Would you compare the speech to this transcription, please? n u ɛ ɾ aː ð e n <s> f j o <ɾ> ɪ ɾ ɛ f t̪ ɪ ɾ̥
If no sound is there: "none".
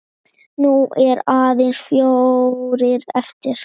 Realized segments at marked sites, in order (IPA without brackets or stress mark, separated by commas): s, ɾ